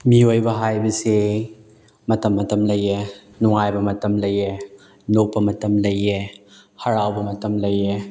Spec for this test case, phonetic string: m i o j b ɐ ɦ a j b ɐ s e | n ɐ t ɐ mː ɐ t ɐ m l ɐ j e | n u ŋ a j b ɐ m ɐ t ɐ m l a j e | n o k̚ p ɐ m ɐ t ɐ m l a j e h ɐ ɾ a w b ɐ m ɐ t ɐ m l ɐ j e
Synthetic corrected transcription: m i o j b ɐ ɦ a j b ɐ s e | m ɐ t ɐ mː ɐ t ɐ m l ɐ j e | n u ŋ a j b ɐ m ɐ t ɐ m l ɐ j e | n o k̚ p ɐ m ɐ t ɐ m l ɐ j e h ɐ ɾ a w b ɐ m ɐ t ɐ m l ɐ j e